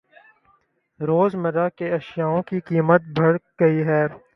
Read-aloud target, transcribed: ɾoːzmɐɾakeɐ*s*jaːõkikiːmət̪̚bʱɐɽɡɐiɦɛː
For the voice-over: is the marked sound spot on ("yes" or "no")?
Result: no